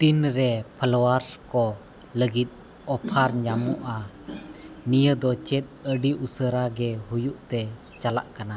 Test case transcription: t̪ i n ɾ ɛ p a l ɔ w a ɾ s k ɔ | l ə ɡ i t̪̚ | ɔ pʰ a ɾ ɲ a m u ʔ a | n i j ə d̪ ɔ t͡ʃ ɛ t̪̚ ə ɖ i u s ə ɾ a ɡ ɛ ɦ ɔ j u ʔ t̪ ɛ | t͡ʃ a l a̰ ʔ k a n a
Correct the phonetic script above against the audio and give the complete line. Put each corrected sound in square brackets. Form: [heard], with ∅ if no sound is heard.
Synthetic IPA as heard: t̪ i n ɾ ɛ [pʰ] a l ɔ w a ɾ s k ɔ | l ə ɡ i t̪̚ | ɔ pʰ a ɾ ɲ a m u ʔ a | n i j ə d̪ ɔ t͡ʃ ɛ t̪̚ ə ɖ i u s ə ɾ a ɡ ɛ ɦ [u] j u ʔ t̪ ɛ | t͡ʃ a l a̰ ʔ k a n a

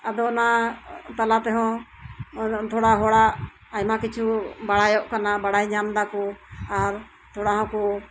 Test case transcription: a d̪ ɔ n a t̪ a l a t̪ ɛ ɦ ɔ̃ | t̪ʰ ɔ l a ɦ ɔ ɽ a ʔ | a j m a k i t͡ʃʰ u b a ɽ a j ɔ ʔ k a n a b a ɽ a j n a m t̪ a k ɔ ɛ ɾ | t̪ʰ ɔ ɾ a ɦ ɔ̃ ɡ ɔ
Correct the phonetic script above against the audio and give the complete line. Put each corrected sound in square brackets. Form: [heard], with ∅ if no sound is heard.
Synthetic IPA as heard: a d̪ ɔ n a t̪ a l a t̪ ɛ ɦ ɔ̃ | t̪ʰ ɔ [ɽ] a ɦ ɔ ɽ a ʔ | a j m a k i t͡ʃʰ u b a ɽ a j ɔ ʔ k a n a b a ɽ a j [ɲ] a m [d̪] a k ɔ [a] ɾ | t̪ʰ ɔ [ɽ] a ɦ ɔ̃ [k] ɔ

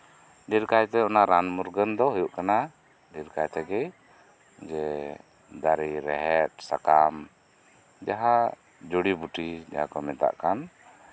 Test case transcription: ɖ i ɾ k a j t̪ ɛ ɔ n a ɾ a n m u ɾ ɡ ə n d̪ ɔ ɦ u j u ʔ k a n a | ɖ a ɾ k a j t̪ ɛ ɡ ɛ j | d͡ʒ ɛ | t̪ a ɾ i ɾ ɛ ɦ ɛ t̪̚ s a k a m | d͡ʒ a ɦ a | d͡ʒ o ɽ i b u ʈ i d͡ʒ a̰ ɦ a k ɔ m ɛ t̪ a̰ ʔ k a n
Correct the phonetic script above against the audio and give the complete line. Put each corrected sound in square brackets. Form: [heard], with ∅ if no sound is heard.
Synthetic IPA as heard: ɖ i ɾ k a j t̪ ɛ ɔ n a ɾ a n m u ɾ ɡ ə n d̪ ɔ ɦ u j u ʔ k a n a | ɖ [i] ɾ k a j t̪ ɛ ɡ ɛ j | d͡ʒ ɛ | [d̪] a ɾ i ɾ ɛ ɦ ɛ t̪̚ s a k a m | d͡ʒ a ɦ a | d͡ʒ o ɽ i b u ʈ i d͡ʒ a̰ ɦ a k ɔ m ɛ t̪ a̰ ʔ k a n

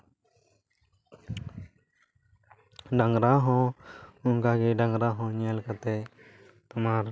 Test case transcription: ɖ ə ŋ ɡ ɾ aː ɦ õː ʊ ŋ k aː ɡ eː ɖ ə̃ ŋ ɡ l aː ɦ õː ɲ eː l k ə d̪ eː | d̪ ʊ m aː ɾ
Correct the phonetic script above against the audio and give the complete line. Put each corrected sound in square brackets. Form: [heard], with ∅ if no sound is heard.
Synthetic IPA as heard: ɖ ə ŋ ɡ ɾ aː ɦ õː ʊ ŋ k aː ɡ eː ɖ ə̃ ŋ ɡ [ɾ] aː ɦ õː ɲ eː l k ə [t̪] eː | [t̪] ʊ m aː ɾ

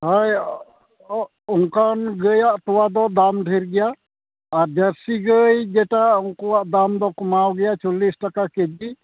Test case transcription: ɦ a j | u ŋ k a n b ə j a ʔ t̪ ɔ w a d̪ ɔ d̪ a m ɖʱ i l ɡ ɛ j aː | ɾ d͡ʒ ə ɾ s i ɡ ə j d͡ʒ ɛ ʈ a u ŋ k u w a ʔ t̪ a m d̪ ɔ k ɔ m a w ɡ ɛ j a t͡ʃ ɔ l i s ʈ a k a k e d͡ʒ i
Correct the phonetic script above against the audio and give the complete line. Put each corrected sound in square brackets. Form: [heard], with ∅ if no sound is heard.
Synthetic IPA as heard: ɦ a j | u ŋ k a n [ɡ] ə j a ʔ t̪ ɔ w a d̪ ɔ d̪ a m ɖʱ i [ɾ] ɡ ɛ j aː | ɾ d͡ʒ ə ɾ s i ɡ ə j d͡ʒ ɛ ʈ a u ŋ k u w a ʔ [d̪] a m d̪ ɔ k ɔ m a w ɡ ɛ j a t͡ʃ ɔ l i s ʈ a k a k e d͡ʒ i

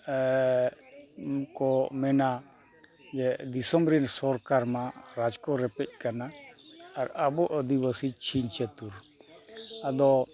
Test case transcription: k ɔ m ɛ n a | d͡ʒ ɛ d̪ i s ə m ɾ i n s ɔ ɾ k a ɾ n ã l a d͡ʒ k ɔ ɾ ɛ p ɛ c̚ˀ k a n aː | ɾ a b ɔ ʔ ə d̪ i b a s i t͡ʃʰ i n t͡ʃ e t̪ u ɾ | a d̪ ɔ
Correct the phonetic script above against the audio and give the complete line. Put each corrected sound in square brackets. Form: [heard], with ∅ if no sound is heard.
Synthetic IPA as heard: k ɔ m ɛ n a | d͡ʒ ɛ d̪ i s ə m ɾ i n s ɔ ɾ k a ɾ [m] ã [ɾ] a d͡ʒ k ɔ ɾ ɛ p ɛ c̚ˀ k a n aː | ɾ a b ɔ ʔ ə d̪ i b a s i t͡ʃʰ i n t͡ʃ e t̪ u ɾ | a d̪ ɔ

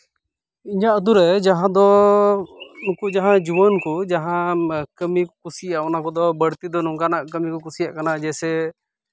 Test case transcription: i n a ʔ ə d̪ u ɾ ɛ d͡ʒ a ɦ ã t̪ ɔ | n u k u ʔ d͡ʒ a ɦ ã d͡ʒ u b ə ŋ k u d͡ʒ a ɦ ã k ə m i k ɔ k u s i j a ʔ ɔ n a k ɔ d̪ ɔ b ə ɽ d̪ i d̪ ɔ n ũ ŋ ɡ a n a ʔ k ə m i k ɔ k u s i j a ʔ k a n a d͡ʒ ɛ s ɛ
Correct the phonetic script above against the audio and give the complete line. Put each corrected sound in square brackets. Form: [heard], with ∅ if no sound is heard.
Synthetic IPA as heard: i [ɲ] a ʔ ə d̪ u ɾ ɛ d͡ʒ a ɦ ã [d̪] ɔ | n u k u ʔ d͡ʒ a ɦ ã d͡ʒ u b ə [n] k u d͡ʒ a ɦ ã k ə m i k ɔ k u s i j a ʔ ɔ n a k ɔ d̪ ɔ b ə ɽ [t̪] i d̪ ɔ n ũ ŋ ɡ a n a ʔ k ə m i k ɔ k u s i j a ʔ k a n a d͡ʒ ɛ s ɛ

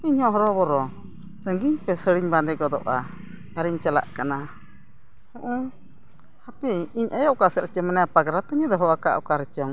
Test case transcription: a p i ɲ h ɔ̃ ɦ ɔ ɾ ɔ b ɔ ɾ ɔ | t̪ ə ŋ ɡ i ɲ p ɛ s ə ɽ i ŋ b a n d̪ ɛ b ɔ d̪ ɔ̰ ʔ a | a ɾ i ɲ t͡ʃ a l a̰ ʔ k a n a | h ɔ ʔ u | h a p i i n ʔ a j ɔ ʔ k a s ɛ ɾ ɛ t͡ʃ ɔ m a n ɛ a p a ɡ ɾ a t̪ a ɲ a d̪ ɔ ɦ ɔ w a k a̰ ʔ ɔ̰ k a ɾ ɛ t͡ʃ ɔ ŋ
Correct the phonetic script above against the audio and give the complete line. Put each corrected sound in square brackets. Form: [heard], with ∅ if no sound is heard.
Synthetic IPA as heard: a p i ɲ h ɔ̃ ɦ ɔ ɾ ɔ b ɔ ɾ ɔ | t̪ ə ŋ ɡ i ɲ p ɛ s ə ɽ i [ɲ] b a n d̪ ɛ [ɡ] ɔ d̪ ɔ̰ ʔ a | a ɾ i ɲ t͡ʃ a l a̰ ʔ k a n a | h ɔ ʔ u | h a p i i [ɲ] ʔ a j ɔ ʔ k a s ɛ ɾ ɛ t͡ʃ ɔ m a n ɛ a p a ɡ ɾ a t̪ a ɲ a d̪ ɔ ɦ ɔ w a k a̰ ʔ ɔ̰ k a ɾ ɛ t͡ʃ ɔ ŋ

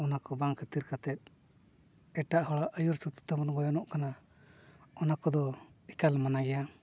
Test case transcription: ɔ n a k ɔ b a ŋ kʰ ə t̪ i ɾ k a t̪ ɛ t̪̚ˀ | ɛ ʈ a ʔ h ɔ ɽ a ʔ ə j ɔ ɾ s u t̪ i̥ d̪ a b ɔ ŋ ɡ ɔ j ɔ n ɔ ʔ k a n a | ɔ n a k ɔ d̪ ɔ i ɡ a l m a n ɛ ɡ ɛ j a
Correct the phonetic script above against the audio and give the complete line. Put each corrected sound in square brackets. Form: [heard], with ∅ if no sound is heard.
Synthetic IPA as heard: ɔ n a k ɔ b a ŋ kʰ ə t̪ i ɾ k a t̪ ɛ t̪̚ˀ | ɛ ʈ a ʔ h ɔ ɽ a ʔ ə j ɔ ɾ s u t̪ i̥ [t̪] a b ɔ [n] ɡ ɔ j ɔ n ɔ ʔ k a n a | ɔ n a k ɔ d̪ ɔ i [k] a l m a n [a] ɡ ɛ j a

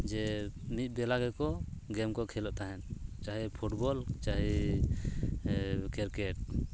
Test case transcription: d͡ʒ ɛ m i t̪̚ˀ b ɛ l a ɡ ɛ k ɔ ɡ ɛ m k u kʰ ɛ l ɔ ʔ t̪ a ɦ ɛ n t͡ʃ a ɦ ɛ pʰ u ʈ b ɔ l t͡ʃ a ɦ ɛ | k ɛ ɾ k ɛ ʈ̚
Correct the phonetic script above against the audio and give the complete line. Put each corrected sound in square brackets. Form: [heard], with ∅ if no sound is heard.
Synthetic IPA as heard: d͡ʒ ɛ m i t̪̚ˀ b ɛ l a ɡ ɛ k ɔ ɡ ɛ m k [ɔ] kʰ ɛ l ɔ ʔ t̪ a ɦ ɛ n t͡ʃ a ɦ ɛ pʰ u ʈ b ɔ l t͡ʃ a ɦ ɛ | k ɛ ɾ k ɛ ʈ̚

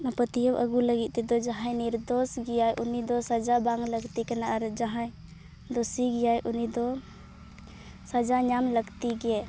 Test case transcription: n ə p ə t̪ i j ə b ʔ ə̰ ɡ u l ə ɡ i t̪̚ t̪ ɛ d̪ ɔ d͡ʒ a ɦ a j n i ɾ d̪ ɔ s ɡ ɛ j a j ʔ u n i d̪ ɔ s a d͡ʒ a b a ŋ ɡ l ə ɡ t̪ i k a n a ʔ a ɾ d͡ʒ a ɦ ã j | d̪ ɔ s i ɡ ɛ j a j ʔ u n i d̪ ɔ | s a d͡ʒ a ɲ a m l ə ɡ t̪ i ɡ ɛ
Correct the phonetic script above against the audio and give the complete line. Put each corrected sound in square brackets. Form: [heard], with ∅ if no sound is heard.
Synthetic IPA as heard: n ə p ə t̪ i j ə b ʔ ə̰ ɡ u l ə ɡ i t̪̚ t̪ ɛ d̪ ɔ d͡ʒ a ɦ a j n i ɾ d̪ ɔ s ɡ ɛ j a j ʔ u n i d̪ ɔ s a d͡ʒ a b a ŋ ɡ l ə ɡ t̪ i k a n a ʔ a ɾ d͡ʒ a ɦ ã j | d̪ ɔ s i ɡ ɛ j a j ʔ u n i d̪ ɔ | s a d͡ʒ a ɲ a m l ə ɡ t̪ i ɡ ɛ

